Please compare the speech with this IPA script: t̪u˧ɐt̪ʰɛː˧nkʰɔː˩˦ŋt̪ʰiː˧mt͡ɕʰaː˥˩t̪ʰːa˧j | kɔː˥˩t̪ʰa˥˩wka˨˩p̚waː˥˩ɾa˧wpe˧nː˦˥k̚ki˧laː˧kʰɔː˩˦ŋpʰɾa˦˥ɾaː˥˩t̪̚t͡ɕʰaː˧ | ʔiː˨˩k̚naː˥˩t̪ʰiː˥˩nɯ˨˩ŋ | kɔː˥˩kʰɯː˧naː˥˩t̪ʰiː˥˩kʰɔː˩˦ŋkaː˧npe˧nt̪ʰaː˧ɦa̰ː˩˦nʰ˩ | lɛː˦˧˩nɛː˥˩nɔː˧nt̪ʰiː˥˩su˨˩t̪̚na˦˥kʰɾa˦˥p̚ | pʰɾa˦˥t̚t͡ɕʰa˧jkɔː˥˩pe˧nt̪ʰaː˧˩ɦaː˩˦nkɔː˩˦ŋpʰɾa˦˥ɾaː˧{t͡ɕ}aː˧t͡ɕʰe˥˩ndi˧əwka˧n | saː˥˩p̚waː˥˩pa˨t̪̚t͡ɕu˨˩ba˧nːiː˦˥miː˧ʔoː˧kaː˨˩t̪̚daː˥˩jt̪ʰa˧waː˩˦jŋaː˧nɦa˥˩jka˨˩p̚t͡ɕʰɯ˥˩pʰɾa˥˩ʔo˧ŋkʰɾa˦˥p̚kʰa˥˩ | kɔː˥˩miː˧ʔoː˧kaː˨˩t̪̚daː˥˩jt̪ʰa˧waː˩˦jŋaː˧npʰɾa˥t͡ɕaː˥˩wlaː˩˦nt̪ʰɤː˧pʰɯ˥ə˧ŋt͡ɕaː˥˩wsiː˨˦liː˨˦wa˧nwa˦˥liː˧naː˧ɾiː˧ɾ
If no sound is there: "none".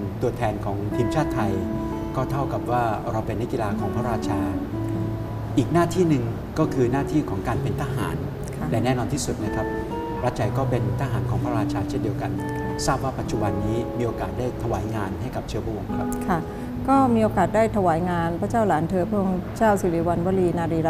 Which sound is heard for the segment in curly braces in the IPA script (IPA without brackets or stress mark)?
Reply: t͡ɕʰ